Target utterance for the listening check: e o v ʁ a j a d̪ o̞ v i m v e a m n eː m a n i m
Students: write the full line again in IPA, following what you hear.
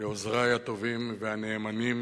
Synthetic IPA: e o z ʁ a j a t̪ o̞ v i m v e a n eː m a n i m